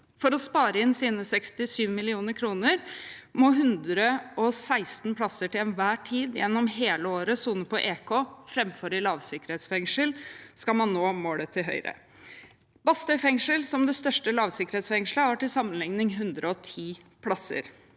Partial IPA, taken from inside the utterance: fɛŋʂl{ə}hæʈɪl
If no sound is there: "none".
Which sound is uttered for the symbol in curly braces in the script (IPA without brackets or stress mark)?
ə